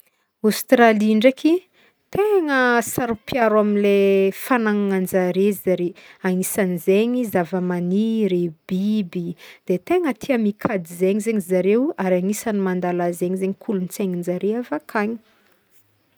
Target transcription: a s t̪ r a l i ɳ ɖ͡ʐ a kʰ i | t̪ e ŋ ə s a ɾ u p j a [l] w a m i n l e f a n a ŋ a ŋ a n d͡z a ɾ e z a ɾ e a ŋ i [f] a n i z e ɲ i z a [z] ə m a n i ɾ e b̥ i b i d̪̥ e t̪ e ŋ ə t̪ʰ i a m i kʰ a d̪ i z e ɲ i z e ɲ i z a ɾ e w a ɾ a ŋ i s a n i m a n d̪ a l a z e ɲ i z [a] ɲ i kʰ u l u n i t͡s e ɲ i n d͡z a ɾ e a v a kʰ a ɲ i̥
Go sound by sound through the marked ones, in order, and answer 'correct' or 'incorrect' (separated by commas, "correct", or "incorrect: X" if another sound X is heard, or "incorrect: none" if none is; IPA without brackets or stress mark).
incorrect: ɾ, incorrect: s, incorrect: v, incorrect: e